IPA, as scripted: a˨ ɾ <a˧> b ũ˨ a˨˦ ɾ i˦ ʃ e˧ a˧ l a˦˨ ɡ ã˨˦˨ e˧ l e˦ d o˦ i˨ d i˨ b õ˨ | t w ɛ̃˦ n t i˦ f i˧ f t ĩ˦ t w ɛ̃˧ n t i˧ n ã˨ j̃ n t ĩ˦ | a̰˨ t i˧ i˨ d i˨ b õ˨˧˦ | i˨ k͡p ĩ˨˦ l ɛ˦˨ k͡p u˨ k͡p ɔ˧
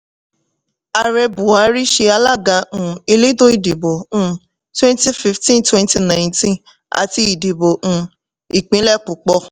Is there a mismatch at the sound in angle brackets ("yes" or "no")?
yes